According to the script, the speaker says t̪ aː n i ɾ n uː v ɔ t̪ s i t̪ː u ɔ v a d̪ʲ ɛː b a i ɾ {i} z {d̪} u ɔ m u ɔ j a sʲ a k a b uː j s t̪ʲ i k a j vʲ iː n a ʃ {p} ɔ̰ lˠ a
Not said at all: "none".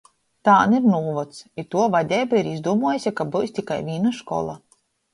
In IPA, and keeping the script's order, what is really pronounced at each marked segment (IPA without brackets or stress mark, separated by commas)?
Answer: i, d̪, k